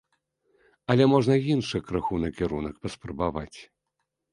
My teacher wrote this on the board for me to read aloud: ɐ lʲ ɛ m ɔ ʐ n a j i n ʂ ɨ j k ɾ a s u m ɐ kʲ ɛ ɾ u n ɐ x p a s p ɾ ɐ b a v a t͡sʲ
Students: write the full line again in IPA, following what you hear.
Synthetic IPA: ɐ lʲ ɛ m ɔ ʐ n ɐ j i n ʂ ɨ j k ɾ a x u n ɐ kʲ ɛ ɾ u n ɐ k p ɐ s p ɾ ɐ b a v a t͡sʲ